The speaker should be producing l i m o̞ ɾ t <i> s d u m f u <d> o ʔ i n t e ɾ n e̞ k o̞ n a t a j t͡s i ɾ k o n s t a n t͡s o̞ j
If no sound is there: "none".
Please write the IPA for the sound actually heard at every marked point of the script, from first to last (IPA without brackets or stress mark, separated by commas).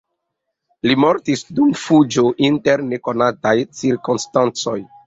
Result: i, d͡ʒ